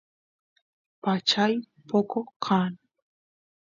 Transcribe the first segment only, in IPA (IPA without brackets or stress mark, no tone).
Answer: p